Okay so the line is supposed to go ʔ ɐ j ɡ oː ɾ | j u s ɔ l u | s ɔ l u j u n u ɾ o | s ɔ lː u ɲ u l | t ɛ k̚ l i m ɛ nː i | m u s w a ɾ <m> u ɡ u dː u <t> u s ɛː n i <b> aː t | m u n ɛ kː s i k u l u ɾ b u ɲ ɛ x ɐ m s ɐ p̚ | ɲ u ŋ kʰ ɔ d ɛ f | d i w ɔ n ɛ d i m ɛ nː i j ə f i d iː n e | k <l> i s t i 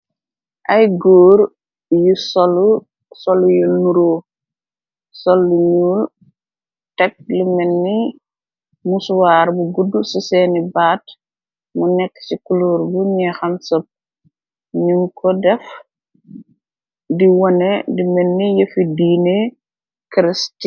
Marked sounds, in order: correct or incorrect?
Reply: incorrect, incorrect, correct, incorrect

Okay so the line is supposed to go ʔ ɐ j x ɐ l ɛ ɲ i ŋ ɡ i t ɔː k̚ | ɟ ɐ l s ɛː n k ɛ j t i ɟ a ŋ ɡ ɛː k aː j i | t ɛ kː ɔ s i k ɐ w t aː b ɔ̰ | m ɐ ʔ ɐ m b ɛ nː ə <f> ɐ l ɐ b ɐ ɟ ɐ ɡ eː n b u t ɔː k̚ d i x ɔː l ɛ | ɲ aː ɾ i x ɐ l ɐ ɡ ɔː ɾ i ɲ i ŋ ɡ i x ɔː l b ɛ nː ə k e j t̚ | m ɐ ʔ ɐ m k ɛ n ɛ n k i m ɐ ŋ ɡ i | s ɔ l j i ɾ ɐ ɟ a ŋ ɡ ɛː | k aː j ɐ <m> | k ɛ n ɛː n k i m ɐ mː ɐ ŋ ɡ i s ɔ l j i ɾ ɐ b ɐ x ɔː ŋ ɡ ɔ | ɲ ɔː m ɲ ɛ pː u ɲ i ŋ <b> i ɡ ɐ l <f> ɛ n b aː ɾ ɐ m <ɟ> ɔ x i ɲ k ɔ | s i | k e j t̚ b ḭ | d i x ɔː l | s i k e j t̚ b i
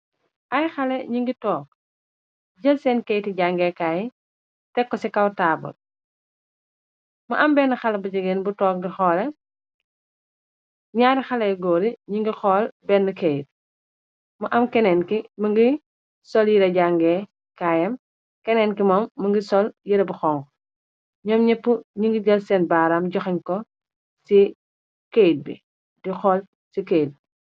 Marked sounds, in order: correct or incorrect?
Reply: incorrect, correct, incorrect, incorrect, correct

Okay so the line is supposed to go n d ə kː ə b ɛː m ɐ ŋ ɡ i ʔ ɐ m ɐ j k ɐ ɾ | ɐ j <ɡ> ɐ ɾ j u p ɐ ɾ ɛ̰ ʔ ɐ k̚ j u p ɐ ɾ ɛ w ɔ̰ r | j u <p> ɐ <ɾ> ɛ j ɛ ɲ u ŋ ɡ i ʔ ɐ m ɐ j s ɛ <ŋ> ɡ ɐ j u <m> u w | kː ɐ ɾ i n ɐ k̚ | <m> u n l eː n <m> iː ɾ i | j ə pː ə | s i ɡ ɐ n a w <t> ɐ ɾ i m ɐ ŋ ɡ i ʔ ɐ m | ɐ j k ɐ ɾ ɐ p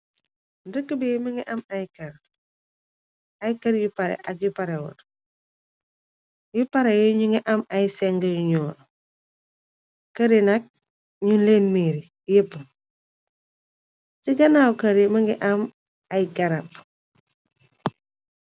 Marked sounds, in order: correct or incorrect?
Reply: incorrect, correct, correct, correct, incorrect, incorrect, correct, incorrect

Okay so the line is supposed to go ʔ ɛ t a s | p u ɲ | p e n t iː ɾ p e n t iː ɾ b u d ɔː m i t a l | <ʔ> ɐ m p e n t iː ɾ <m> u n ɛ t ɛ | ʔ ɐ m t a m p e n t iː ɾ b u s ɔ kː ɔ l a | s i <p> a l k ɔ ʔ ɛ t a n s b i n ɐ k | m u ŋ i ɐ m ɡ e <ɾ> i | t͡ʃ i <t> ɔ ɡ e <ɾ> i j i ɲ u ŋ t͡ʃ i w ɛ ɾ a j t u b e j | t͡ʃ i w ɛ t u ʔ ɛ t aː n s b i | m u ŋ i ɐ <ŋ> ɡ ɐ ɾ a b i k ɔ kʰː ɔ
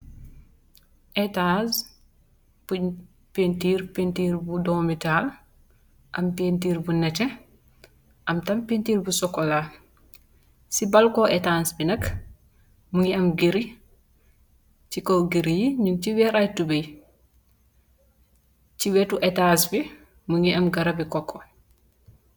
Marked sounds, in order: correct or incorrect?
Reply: correct, incorrect, incorrect, correct, incorrect, correct, incorrect

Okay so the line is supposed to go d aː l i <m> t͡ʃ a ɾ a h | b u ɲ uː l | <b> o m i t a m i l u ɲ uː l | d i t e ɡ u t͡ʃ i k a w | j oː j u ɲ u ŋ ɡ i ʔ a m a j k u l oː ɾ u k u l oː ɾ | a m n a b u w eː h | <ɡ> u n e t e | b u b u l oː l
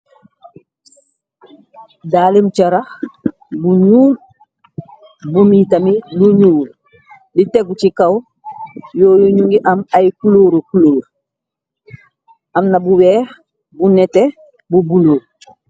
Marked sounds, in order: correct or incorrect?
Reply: correct, correct, incorrect

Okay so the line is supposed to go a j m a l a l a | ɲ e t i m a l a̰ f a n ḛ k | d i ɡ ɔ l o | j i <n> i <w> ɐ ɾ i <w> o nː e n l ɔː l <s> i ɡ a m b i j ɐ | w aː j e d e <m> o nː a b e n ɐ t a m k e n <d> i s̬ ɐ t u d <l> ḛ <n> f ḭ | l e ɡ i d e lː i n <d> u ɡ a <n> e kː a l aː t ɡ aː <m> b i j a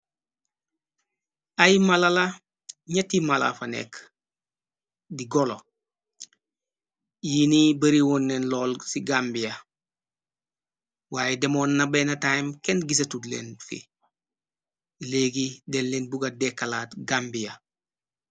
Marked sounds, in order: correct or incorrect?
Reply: correct, incorrect, correct, correct, correct, incorrect, correct, correct, incorrect, incorrect, correct

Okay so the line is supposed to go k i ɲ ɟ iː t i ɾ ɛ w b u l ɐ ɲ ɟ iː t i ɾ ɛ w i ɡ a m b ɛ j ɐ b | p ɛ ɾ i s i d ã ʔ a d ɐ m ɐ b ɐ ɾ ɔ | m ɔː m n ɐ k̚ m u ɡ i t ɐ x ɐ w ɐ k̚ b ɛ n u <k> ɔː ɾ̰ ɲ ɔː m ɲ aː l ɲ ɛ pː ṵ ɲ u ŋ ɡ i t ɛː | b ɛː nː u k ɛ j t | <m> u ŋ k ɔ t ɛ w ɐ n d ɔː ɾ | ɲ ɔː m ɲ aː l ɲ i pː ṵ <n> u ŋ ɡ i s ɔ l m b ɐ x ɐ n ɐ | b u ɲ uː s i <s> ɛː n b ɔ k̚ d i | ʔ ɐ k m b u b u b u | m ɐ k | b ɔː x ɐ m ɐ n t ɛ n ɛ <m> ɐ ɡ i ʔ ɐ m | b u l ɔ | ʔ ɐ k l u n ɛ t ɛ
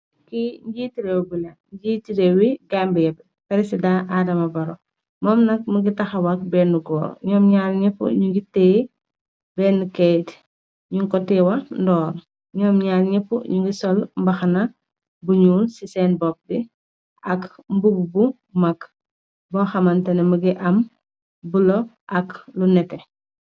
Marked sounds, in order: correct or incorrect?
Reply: incorrect, incorrect, incorrect, correct, correct

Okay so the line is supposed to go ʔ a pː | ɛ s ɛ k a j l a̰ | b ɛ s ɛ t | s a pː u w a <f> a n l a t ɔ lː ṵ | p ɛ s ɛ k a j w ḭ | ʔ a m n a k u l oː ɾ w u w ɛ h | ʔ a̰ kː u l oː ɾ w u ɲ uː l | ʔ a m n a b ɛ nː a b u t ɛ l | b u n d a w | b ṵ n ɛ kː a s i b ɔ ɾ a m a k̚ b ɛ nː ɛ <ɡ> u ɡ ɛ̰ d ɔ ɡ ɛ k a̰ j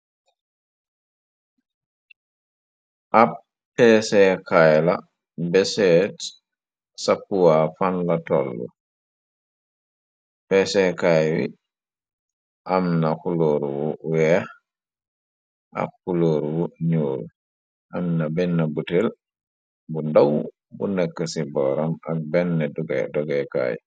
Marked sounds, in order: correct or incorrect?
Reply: correct, incorrect

